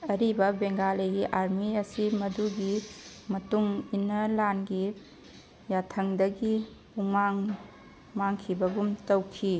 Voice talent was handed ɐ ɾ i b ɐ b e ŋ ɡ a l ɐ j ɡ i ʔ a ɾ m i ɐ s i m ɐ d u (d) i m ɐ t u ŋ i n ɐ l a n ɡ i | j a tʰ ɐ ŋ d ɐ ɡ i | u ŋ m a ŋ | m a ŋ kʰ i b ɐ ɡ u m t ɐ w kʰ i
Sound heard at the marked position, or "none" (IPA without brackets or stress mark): ɡ